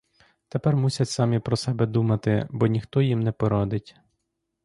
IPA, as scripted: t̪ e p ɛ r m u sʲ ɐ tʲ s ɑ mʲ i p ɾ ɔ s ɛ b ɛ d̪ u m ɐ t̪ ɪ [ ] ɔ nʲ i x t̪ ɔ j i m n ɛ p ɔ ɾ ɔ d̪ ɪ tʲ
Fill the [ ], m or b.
b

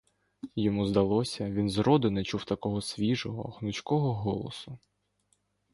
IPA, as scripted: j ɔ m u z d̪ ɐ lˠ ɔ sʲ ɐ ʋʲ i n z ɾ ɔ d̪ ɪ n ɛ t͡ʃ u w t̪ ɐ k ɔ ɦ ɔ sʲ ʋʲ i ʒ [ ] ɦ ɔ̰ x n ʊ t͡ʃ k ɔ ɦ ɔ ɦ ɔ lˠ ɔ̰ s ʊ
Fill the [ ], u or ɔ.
ɔ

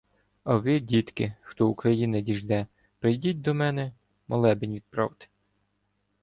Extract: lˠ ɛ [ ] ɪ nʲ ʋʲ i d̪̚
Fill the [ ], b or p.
b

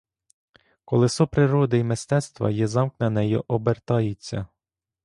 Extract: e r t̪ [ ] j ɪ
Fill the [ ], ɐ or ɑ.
ɑ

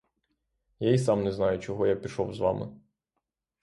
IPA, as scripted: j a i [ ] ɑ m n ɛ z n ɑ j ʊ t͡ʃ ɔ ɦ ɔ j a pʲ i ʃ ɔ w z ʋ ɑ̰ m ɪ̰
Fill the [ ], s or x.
s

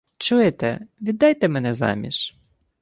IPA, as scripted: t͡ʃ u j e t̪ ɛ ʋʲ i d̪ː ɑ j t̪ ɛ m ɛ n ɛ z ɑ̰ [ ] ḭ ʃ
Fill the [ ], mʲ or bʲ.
mʲ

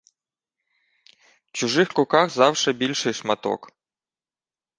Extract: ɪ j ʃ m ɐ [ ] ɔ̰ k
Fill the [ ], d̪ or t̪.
t̪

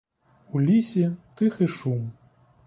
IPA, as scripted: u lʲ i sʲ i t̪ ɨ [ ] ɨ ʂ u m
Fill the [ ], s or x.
x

